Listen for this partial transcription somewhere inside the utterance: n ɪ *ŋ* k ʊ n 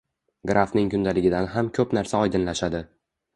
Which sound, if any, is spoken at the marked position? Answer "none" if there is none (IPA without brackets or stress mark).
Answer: ŋ